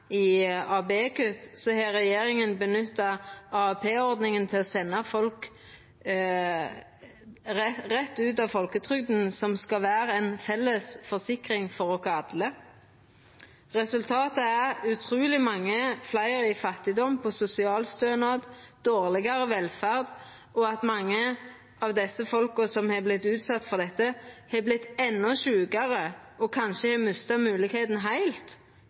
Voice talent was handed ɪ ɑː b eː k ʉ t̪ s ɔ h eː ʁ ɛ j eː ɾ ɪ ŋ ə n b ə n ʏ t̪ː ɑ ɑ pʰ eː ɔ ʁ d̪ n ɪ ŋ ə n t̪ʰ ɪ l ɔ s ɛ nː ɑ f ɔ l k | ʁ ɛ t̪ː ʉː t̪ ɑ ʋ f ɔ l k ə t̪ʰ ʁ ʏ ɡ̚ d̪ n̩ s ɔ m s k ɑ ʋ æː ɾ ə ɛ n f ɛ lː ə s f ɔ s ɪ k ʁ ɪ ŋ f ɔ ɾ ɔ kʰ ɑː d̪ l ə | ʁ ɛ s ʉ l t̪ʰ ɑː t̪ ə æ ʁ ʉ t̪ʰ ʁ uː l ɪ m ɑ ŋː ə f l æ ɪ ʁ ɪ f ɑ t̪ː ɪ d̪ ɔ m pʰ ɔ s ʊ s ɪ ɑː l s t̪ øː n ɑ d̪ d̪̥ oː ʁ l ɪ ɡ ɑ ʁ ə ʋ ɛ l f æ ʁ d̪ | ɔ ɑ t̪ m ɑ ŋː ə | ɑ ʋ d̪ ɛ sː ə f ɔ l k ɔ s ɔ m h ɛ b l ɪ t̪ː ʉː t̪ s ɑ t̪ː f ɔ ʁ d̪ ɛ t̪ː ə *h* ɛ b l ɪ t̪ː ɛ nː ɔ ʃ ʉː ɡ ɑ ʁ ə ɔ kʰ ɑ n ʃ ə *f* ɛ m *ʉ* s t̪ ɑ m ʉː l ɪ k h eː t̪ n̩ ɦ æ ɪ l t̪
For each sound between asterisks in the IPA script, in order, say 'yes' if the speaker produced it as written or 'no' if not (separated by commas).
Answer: yes, no, yes